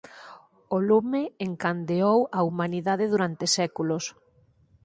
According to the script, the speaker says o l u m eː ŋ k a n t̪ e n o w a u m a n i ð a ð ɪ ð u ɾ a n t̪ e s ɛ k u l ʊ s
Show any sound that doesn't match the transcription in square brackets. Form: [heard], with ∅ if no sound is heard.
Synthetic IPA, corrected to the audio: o l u m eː ŋ k a n [d̪] e [∅] o w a u m a n i ð a ð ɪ ð u ɾ a n t̪ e s ɛ k u l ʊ s